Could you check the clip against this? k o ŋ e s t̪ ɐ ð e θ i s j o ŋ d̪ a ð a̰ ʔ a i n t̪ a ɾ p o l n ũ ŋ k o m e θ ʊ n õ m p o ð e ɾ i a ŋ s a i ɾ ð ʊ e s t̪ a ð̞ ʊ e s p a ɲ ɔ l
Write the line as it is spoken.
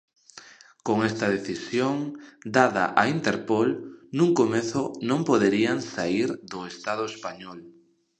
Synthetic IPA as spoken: k o ŋ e s t̪ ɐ ð e θ i s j o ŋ d̪ a ð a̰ ʔ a i n t̪ e ɾ p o l n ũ ŋ k o m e θ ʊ n õ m p o ð e ɾ i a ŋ s a i ɾ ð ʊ e s t̪ a ð̞ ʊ e s p a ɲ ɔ l